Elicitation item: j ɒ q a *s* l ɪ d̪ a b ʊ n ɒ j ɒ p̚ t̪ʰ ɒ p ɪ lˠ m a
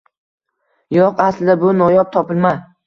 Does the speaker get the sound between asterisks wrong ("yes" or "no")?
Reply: no